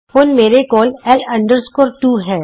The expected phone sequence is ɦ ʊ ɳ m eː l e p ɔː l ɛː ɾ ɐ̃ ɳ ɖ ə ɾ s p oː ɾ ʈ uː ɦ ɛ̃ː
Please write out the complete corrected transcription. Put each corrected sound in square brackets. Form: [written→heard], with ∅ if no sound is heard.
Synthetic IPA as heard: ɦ ʊ [ɳ→n] m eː [l→ɾ] e [p→k] ɔː l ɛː [ɾ→l] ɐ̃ ɳ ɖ ə ɾ s [p→k] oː ɾ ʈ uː ɦ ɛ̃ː